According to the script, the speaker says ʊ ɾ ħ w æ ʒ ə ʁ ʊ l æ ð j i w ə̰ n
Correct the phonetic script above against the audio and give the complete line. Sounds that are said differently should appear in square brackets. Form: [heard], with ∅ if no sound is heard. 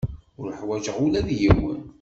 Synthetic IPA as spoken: ʊ ɾ ħ w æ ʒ ə ʁ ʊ l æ ð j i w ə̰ n